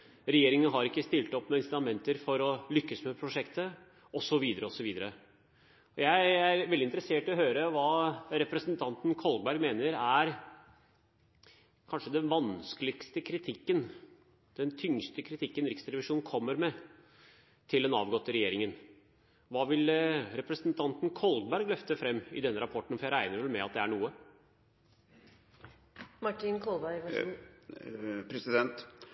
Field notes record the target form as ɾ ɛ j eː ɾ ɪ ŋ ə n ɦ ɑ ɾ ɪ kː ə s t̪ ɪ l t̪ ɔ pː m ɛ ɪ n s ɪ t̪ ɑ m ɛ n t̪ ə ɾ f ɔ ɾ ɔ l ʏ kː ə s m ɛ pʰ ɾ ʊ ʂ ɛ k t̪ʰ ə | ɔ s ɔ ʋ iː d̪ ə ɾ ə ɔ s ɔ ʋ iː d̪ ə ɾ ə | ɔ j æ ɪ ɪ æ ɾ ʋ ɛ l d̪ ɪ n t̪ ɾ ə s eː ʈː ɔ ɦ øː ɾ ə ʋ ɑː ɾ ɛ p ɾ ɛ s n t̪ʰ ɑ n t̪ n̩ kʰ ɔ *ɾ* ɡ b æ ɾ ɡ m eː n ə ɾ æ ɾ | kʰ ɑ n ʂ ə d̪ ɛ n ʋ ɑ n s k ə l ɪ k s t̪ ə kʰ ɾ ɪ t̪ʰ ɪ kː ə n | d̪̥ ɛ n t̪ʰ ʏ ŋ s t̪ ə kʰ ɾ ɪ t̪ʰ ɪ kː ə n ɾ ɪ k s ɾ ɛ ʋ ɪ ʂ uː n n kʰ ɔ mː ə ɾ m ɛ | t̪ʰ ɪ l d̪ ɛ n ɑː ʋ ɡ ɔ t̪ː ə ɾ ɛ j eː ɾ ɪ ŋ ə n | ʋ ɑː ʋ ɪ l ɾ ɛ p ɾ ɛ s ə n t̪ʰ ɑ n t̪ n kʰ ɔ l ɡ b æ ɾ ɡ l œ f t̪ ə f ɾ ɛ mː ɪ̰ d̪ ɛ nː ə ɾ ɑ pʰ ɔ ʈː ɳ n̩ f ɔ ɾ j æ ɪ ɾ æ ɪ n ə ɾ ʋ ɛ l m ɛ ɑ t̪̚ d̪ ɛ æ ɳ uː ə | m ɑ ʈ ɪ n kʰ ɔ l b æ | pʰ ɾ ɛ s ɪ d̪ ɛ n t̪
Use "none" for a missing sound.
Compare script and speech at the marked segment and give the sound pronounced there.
l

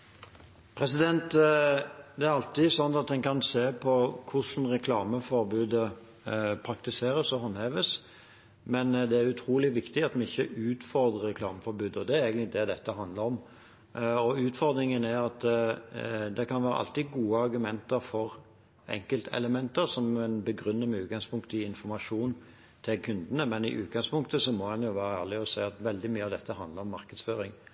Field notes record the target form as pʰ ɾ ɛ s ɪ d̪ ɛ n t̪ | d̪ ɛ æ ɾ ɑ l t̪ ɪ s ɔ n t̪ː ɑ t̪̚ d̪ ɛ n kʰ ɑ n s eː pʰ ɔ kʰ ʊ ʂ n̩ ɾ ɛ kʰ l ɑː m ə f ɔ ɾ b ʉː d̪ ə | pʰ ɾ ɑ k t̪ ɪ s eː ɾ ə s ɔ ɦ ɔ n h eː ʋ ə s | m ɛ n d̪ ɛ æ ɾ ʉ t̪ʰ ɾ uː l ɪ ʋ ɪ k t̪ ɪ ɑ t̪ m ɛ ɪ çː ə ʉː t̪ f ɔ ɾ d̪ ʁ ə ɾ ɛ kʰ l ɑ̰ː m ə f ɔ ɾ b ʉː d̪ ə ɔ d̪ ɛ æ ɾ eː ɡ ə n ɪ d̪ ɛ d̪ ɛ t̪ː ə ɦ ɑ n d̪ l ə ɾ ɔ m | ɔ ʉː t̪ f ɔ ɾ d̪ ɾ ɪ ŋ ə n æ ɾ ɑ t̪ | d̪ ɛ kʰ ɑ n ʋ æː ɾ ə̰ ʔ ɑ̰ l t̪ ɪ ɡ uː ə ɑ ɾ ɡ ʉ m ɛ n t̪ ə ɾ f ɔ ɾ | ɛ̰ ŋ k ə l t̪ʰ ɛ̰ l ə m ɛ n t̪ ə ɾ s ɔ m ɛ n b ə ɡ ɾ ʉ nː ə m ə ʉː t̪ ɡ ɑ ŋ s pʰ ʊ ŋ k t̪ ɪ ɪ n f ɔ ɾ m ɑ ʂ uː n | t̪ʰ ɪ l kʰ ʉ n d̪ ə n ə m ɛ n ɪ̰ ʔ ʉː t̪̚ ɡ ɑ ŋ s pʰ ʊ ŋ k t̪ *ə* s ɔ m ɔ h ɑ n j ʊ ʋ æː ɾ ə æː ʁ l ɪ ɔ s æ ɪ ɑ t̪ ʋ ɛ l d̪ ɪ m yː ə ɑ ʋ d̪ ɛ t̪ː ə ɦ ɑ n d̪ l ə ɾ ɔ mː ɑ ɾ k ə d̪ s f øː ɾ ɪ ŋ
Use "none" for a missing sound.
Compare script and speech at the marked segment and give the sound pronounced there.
ə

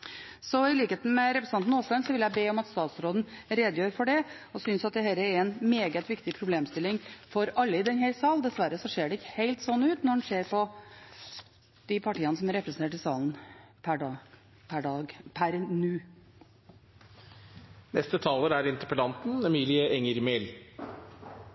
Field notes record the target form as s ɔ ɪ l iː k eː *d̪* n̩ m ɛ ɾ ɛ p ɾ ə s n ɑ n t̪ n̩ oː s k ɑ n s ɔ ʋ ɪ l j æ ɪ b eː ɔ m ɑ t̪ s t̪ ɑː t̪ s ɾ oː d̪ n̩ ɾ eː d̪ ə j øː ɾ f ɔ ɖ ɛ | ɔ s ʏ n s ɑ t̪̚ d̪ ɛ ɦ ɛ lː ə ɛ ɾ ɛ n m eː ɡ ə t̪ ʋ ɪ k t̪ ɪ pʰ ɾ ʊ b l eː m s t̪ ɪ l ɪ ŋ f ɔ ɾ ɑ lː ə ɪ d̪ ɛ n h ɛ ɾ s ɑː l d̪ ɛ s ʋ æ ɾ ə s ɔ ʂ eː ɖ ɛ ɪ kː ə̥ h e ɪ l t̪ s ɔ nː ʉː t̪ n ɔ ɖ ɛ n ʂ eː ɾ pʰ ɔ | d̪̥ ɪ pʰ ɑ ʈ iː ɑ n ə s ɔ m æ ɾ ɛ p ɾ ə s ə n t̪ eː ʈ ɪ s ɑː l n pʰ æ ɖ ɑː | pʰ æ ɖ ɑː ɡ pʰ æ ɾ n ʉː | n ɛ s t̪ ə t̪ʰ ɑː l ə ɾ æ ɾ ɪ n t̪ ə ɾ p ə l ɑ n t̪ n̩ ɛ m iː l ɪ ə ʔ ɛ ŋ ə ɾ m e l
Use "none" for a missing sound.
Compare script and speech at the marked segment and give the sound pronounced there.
t̪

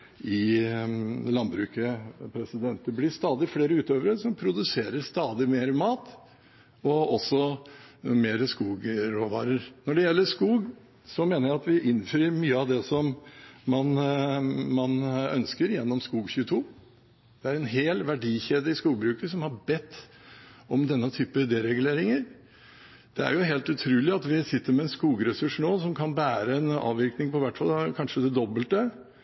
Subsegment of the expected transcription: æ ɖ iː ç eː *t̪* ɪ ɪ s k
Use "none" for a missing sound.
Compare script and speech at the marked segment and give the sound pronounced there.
d̪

